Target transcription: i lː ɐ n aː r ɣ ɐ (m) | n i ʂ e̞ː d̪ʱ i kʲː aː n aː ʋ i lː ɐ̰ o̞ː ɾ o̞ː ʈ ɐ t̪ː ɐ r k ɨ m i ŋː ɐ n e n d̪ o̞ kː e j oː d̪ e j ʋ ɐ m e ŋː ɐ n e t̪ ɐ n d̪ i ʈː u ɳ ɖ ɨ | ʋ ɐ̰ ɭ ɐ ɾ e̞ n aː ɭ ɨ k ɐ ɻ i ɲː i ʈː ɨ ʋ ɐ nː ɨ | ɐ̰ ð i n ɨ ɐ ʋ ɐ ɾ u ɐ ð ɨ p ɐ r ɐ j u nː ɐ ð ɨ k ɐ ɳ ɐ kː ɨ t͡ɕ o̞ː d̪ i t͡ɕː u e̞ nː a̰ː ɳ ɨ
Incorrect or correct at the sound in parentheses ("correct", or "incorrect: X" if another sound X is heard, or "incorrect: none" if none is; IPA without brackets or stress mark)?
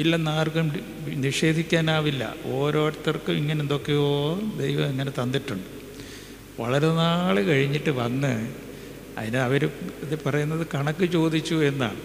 correct